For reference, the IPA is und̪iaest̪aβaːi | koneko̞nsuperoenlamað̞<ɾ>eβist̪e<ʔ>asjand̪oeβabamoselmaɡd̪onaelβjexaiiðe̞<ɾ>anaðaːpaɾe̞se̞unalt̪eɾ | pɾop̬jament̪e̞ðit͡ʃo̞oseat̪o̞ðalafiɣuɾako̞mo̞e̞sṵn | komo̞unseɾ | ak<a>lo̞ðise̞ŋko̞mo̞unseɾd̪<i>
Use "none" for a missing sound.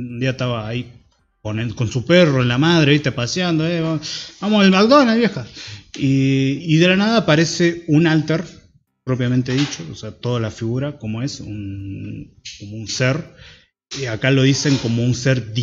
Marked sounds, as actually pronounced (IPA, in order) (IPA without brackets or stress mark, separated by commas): ɾ, p, l, a, i